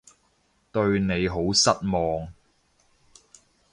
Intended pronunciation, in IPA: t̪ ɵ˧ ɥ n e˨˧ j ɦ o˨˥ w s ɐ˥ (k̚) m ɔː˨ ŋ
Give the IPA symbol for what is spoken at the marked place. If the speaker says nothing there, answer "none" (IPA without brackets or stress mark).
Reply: t̚